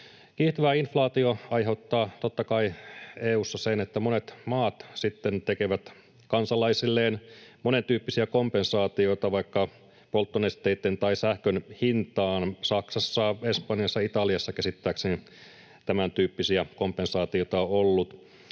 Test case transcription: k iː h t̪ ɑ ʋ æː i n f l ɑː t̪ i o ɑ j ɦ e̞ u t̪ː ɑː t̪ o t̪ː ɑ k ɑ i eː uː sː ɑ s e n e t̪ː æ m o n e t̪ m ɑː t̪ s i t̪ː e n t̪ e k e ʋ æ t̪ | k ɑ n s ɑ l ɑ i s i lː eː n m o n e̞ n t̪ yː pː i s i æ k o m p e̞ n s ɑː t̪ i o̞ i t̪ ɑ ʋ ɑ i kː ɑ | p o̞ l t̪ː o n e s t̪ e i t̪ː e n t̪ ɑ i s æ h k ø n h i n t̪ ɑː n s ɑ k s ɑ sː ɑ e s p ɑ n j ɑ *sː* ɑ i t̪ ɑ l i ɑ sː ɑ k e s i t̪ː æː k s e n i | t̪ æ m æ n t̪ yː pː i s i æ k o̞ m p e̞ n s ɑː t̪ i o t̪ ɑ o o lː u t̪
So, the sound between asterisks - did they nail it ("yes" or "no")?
yes